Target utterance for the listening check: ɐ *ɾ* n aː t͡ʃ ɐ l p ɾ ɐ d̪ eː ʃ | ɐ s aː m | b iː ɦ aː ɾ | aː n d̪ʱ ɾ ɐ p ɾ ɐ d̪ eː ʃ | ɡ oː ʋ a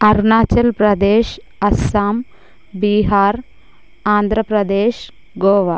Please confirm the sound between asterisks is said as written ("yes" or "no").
yes